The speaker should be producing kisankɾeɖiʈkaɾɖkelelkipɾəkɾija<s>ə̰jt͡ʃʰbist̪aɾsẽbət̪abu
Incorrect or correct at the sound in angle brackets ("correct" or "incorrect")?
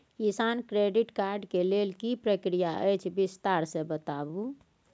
incorrect